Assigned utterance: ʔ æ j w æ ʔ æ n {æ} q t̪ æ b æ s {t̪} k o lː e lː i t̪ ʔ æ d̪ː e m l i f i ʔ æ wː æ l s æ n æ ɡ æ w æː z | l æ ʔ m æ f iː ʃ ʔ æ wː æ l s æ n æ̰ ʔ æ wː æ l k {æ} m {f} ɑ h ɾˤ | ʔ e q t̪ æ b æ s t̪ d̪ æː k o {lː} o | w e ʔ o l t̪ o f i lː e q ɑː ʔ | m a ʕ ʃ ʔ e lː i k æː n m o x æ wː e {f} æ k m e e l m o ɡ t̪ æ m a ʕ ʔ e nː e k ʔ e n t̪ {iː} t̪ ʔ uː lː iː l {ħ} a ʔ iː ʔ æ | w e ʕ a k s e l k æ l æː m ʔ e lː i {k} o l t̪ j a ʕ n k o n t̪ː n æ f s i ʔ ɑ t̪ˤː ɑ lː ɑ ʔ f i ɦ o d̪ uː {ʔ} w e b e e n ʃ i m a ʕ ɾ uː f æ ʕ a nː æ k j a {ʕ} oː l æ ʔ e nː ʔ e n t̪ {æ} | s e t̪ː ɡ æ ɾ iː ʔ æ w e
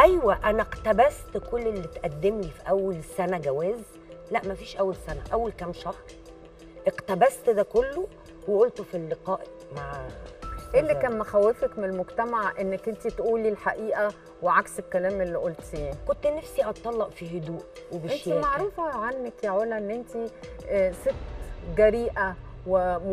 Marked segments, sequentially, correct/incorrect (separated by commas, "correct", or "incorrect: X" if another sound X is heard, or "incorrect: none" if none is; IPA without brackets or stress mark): correct, correct, correct, incorrect: ʃ, correct, correct, incorrect: i, correct, incorrect: ʔ, correct, correct, incorrect: i